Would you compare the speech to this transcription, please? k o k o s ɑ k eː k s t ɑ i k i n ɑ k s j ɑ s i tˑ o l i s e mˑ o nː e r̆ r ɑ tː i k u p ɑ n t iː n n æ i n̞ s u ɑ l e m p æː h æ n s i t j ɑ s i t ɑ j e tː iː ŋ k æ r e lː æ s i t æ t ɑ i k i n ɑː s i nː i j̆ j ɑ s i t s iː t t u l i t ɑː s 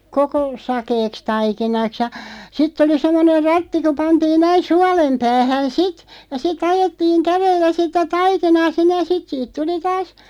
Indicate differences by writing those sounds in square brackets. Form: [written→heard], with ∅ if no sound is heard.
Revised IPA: k o k o s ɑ k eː k s t ɑ i k i n ɑ k s j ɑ s i tˑ o l i s e mˑ o [nː→n] e r̆ r ɑ tː i k u p ɑ n t iː n n æ i n̞ s u ɑ l e m p æː h æ n s i t j ɑ s i t ɑ j e tː iː ŋ k æ r e lː æ s i t æ t ɑ i k i n ɑː s i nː [i→e] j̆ j ɑ s i t s iː t t u l i t ɑː s

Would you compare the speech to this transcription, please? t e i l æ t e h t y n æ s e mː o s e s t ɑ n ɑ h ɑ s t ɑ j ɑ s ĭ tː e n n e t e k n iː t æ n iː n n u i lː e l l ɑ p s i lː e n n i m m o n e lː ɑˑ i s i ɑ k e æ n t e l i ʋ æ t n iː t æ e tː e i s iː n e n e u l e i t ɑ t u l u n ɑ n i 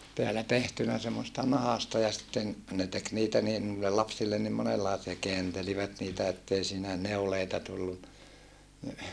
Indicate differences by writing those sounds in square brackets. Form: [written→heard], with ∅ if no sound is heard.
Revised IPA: t e [i→æ] l æ t e h t y n æ s e mː o s e s t ɑ n ɑ h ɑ s t ɑ j ɑ s ĭ tː e n n e t e k n iː t æ n iː n n u i lː e l l ɑ p s i lː e n n i m m o n e lː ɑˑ i s i ɑ k e æ n t e l i ʋ æ t n iː t æ e tː e i s iː n [e→æ] n e u l e i t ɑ t u [l→lː] u n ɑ n i

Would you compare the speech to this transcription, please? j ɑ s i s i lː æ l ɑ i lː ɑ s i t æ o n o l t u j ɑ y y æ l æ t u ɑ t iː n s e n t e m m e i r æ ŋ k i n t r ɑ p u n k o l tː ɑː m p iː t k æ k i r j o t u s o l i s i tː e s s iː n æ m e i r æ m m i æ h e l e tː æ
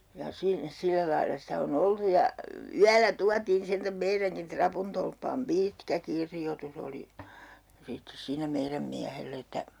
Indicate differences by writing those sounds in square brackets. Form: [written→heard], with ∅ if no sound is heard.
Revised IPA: j ɑ s i s i lː æ l ɑ i lː ɑ s i t æ o n o l t u j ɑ y y æ l æ t u ɑ t iː n s e n t [e→æ] m m e i r æ ŋ k i n t r ɑ p u n [k→t] o l [tː→pː] ɑː m p iː t k æ k i r j o t u s o l i s i tː e s s iː n æ m e i r æ m m i æ h e [l→lː] e tː æ

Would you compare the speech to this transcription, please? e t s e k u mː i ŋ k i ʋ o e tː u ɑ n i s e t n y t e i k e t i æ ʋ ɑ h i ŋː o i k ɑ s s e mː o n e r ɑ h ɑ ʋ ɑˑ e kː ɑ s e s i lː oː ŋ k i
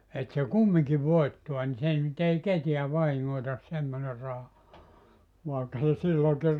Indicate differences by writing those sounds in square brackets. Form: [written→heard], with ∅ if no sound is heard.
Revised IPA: e t s e k u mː i ŋ k i ʋ o [e→i] tː u ɑ n i s e [t→∅] n y t e i k e t i æ ʋ ɑ h i ŋː o i [k→t] ɑ s s e mː o n e r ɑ h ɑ ʋ ɑˑ e kː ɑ s e s i lː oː ŋ k i

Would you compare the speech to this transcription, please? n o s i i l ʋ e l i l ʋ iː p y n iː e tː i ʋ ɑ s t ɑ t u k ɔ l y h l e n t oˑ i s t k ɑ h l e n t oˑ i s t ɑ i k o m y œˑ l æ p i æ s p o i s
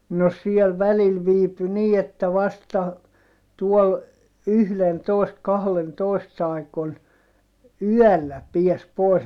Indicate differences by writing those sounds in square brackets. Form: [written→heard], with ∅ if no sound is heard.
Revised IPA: n o s i [i→e] l ʋ [e→æ] l i l ʋ iː p y n iː e tː [i→æ] ʋ ɑ s t ɑ t u [k→∅] ɔ l y h l e n t oˑ i s t k ɑ h l e n t oˑ i s t ɑ i k o [m→n] y œˑ [l→lː] æ p i æ s p o i s

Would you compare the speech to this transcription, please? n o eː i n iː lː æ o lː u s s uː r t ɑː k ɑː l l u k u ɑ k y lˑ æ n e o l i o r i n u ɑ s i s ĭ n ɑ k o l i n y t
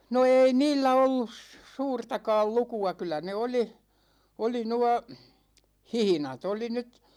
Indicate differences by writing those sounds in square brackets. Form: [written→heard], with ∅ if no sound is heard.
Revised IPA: n o eː i n iː lː æ o lː u s s uː r t [ɑː→ɑ] k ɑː l l u k u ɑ k y lˑ æ n e o l i o [r→l] i n u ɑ [s→h] i [s→h] ĭ n ɑ [k→t] o l i n y t

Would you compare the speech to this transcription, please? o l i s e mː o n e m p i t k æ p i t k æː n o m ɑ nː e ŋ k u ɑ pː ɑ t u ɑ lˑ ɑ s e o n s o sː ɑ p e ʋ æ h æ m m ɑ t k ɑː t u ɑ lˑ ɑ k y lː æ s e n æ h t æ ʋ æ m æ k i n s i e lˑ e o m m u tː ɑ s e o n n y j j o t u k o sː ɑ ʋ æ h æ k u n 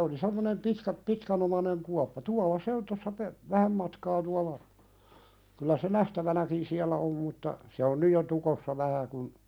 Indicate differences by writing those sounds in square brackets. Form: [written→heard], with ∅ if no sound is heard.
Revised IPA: o l i s e mː o n e m p i t k æ p i t k [æː→æ] n o m ɑ [nː→n] e ŋ k u ɑ pː ɑ t u ɑ lˑ ɑ s e o n [s→t] o sː ɑ p e ʋ æ h æ m m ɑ t k ɑː t u ɑ lˑ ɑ k y lː æ s e n æ h t æ ʋ æ [m→n] æ k i n s i [e→æ] lˑ [e→æ] o m m u tː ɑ s e o n n y j j o t u k o sː ɑ ʋ æ h æ k u n

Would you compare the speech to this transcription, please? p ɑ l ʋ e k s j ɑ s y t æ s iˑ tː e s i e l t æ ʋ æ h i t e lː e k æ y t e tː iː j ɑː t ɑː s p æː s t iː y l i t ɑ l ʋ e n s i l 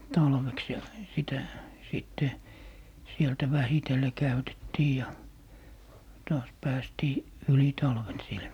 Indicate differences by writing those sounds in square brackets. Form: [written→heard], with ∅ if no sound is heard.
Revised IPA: [p→t] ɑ l ʋ e k s j ɑ s [y→i] t æ s iˑ tː e s i e l t æ ʋ æ h i t e lː e k æ y t e tː iː j [ɑː→ɑ] t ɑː s p æː s t iː y l i t ɑ l ʋ e n s i l

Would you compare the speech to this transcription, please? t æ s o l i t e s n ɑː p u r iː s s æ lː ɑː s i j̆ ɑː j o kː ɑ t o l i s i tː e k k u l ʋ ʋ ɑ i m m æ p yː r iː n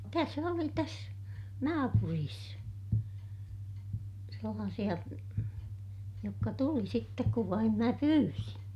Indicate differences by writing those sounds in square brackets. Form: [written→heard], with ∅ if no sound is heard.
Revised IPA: t æ s o l i t [e→æ] s n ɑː p u r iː s s [æ→e] lː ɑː s i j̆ [ɑː→ɑ] j o kː ɑ t [o→u] l i s i tː e k k u [l→∅] ʋ ʋ ɑ i m m æ p yː r [iː→i] n

